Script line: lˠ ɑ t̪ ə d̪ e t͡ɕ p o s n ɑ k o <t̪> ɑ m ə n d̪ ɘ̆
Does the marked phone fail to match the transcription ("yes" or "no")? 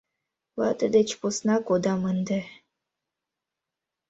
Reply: yes